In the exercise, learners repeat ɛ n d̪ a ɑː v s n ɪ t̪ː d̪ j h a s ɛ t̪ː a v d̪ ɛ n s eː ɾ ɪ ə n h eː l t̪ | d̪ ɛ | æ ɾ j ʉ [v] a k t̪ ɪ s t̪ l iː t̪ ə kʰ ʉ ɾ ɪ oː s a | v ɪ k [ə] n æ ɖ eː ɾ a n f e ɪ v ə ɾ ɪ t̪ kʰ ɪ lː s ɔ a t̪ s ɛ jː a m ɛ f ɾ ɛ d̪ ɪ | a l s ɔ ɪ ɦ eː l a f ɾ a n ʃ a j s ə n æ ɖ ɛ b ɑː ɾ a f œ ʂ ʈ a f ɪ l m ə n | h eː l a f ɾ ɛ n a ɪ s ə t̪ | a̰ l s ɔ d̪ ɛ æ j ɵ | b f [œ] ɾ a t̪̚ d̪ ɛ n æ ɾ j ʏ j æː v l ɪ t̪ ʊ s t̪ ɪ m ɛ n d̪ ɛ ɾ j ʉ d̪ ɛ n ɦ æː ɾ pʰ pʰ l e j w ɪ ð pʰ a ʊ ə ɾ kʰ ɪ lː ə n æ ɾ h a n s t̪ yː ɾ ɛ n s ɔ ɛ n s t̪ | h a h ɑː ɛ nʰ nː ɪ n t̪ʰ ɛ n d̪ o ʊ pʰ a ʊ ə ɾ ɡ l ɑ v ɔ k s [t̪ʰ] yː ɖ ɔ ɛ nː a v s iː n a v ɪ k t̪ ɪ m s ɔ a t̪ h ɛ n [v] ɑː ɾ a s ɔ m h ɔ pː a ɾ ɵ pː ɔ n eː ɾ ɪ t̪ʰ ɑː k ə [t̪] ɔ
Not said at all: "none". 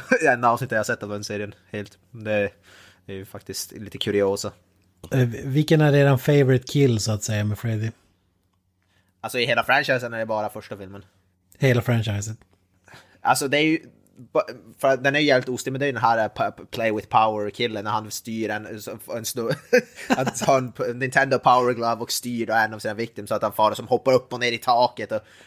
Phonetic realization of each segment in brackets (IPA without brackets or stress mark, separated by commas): f, ə, œ, t̪, f, t̪